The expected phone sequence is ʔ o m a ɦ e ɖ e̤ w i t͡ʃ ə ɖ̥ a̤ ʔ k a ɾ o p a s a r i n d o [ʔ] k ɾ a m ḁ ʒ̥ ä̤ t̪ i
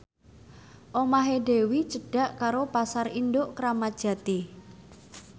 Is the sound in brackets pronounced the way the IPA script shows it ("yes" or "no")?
yes